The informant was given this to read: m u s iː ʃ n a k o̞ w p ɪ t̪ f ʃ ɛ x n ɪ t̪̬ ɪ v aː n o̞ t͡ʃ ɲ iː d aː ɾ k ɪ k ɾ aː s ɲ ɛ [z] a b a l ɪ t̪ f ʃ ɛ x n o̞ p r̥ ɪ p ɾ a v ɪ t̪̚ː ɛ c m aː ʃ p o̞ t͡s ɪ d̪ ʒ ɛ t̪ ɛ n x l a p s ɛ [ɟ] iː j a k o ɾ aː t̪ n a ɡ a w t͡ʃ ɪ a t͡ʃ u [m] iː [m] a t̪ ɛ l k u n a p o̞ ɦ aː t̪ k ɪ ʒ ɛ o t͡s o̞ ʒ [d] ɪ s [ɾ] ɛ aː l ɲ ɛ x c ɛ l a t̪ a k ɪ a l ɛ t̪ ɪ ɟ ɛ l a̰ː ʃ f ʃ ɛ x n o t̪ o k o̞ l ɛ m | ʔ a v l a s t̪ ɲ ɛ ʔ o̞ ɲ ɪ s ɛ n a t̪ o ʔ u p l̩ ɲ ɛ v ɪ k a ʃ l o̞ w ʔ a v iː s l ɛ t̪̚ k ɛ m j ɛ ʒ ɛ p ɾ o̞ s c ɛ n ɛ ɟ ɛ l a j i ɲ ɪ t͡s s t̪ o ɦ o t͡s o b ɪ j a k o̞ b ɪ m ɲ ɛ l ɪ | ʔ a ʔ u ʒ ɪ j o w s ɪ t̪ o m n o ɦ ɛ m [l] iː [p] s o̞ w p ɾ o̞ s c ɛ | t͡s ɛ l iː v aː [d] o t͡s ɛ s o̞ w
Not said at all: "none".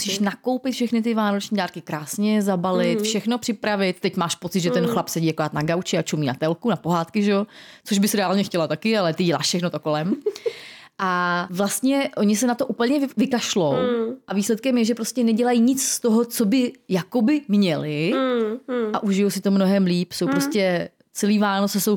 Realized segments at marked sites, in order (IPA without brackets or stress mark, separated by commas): z, ɟ, m, n, b, ɾ, l, p, n